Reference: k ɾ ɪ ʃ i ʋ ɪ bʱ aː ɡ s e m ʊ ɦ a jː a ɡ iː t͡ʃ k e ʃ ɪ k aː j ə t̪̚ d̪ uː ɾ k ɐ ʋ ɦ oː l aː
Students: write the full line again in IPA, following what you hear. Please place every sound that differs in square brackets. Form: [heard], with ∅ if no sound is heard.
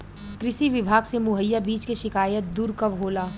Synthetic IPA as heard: k ɾ ɪ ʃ i ʋ ɪ bʱ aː ɡ s e m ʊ ɦ [ə] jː a [b] iː t͡ʃ k e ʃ ɪ k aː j ə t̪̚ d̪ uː ɾ k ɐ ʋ ɦ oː l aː